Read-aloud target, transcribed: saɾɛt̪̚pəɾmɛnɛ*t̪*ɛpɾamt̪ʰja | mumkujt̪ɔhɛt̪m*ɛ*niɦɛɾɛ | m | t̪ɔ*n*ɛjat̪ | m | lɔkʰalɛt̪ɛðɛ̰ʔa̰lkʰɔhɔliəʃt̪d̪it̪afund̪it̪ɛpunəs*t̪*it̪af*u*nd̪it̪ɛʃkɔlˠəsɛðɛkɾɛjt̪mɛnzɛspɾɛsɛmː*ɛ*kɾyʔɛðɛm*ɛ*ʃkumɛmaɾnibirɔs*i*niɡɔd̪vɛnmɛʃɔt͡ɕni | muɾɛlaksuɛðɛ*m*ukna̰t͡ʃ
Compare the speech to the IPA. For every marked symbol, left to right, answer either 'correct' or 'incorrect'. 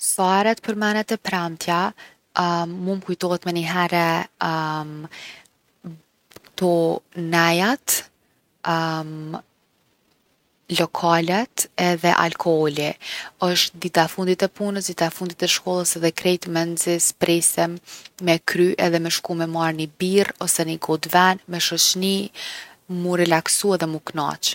correct, correct, correct, incorrect: d̪, correct, correct, correct, incorrect: ɛ, correct

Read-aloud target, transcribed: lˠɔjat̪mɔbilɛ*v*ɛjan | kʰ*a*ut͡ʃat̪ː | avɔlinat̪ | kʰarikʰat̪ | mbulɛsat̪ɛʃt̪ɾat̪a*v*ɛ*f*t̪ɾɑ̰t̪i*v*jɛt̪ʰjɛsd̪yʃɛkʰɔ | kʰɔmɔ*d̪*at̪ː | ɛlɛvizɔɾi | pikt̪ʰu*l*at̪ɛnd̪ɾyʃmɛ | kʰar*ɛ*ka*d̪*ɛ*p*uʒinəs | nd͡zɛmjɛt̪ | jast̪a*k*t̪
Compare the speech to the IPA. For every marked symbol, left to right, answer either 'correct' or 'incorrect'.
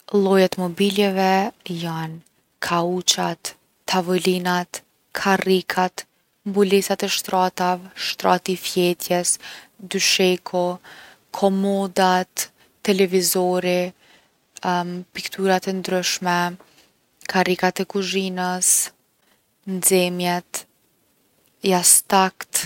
correct, correct, correct, incorrect: ʃ, incorrect: f, correct, incorrect: ɾ, incorrect: i, incorrect: t̪, incorrect: k, correct

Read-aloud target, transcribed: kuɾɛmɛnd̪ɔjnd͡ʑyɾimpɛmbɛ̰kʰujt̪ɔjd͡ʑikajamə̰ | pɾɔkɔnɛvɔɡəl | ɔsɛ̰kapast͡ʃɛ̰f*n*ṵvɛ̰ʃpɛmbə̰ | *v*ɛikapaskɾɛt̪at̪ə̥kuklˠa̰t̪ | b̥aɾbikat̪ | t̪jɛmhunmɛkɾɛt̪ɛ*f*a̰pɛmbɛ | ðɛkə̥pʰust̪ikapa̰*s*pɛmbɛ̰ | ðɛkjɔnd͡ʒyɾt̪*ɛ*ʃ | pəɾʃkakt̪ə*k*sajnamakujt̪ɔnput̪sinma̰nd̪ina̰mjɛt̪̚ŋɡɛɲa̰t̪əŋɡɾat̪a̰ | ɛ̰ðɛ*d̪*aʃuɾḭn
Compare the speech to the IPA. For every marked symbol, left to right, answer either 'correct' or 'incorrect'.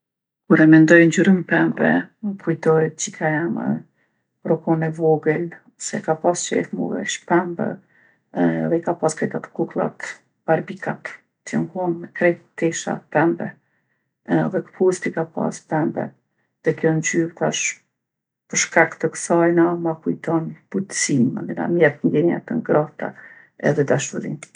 incorrect: m, incorrect: ð, incorrect: ʃ, correct, incorrect: a, correct, correct

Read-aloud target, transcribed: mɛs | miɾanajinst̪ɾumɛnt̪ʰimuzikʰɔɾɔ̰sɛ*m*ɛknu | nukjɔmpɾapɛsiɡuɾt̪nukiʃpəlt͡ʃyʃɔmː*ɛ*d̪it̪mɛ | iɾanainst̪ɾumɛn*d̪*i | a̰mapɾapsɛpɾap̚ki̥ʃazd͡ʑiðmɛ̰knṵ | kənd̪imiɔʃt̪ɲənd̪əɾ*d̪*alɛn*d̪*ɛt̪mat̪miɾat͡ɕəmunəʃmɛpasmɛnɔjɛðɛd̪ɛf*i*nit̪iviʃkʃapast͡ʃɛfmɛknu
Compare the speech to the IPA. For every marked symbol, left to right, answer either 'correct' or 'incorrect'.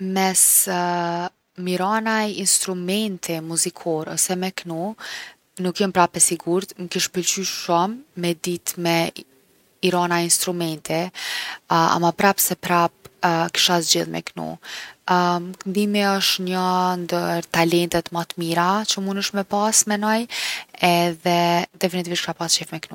correct, correct, incorrect: t̪, incorrect: t̪, incorrect: t̪, correct

